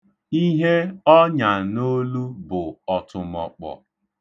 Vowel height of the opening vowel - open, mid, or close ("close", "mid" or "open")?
close